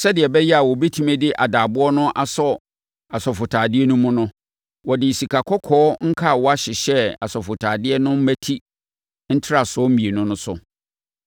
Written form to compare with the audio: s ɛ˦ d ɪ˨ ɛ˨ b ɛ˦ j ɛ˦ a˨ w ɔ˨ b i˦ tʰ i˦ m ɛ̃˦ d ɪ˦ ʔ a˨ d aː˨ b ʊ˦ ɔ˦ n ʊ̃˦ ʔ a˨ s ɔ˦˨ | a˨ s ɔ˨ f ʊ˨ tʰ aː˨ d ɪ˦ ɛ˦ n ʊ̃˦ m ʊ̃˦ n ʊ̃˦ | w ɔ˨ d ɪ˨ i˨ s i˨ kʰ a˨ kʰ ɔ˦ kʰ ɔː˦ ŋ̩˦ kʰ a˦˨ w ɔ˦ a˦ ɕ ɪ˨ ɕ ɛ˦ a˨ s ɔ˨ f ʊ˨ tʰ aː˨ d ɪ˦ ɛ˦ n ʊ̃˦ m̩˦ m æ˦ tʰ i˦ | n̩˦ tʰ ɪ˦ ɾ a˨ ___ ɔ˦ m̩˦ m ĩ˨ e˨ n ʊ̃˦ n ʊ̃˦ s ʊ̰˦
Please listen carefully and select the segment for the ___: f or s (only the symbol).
s